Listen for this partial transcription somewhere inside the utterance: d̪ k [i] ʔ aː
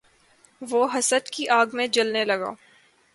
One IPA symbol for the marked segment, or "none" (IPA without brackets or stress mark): i